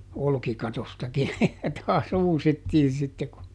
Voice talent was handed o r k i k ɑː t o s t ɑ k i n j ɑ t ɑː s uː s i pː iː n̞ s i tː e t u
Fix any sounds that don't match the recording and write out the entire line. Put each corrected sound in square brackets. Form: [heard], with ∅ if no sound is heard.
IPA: o [l] k i k [ɑ] t o s t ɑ k i n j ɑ t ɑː s uː s i [tː] iː n̞ s i tː e [k] u